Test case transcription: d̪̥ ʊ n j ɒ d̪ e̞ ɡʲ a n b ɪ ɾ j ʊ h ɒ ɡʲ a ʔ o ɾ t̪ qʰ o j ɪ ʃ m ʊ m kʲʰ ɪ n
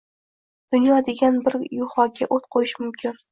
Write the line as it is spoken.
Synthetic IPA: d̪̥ ʊ n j ɒ d̪ e̞ ɡʲ a n b ɪ ɾ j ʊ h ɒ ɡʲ a ʔ o t̪ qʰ o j ɪ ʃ m ʊ m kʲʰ ɪ n

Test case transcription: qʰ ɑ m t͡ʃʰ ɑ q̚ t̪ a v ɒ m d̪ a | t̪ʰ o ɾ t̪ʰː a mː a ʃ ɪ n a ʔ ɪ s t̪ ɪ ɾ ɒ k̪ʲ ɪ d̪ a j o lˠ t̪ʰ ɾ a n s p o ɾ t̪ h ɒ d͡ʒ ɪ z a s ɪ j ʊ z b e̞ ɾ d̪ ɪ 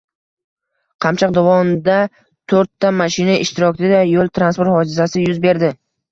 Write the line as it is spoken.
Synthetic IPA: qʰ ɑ m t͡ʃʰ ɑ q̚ d̪ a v ɒ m d̪ a | t̪ʰ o ɾ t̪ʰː a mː a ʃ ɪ n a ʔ ɪ ʃ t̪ ɪ ɾ ɒ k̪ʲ ɪ d̪ a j o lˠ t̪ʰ ɾ a n s p o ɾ t̪ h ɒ d͡ʒ ɪ z a s ɪ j ʊ z b e̞ ɾ d̪ ɪ

